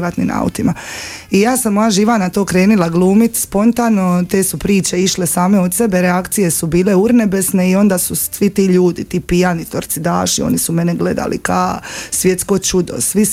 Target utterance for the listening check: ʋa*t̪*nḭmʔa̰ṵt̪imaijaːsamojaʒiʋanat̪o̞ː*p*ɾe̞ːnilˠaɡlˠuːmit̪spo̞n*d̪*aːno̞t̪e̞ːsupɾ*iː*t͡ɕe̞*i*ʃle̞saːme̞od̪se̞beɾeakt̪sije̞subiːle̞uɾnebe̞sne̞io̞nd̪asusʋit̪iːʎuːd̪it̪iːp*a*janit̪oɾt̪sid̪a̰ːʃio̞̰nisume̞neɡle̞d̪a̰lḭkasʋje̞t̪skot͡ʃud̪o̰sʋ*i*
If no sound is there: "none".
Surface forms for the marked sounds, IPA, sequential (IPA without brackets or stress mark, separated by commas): t̪, k, t̪, iː, i, i, i